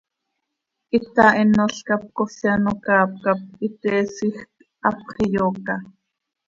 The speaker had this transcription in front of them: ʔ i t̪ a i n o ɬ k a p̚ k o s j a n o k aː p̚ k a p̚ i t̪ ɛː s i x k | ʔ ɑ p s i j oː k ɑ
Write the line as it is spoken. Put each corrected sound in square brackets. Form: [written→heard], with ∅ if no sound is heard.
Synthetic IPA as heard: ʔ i t̪ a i n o ɬ k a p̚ k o s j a n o k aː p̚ k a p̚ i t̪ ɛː s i x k | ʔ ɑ p [s→χ] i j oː k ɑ